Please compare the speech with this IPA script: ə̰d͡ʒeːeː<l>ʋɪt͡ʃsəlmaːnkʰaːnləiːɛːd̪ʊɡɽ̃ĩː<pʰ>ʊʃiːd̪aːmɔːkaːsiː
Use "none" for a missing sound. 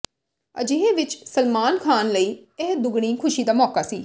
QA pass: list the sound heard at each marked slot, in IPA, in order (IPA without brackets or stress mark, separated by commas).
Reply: none, kʰ